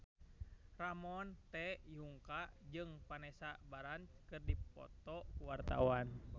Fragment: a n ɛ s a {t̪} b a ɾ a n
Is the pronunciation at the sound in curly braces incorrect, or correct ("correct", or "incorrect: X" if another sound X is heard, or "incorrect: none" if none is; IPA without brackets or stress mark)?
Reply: incorrect: none